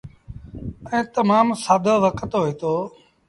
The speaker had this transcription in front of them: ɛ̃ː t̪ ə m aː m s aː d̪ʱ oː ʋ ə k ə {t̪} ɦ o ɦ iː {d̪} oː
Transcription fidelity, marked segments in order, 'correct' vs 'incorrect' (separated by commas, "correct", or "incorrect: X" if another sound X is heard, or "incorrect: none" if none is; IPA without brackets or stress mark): correct, incorrect: t̪